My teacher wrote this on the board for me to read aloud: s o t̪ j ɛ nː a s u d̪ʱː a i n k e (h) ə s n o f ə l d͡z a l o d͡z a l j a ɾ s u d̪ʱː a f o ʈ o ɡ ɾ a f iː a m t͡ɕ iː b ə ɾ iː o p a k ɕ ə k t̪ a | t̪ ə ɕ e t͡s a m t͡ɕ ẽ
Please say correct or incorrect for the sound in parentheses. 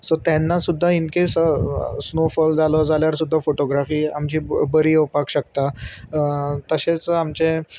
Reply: incorrect